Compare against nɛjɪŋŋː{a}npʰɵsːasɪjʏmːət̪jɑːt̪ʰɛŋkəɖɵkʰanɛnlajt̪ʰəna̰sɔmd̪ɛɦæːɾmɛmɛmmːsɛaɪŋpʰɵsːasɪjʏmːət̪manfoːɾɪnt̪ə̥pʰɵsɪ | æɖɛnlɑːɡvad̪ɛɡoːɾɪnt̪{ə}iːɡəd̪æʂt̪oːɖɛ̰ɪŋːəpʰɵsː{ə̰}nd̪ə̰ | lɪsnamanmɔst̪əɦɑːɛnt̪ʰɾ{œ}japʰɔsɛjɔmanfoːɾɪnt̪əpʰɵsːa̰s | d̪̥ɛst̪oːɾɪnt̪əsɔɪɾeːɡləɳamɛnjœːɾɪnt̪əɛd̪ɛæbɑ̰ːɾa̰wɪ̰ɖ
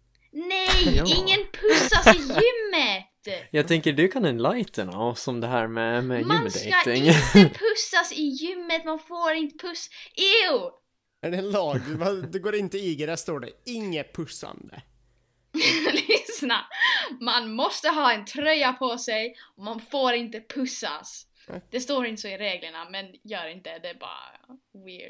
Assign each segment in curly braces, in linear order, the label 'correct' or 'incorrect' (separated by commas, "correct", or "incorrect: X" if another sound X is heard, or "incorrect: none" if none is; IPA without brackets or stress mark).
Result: incorrect: ə, correct, incorrect: a̰, correct